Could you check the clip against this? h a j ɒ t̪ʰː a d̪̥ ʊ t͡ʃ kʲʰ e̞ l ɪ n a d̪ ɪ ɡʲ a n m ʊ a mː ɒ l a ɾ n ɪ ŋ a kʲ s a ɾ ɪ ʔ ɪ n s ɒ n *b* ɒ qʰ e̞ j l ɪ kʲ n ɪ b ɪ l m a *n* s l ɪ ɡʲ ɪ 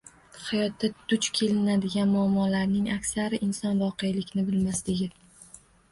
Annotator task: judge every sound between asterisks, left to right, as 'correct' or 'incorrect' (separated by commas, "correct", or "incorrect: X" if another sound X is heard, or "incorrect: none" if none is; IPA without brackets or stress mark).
incorrect: v, incorrect: none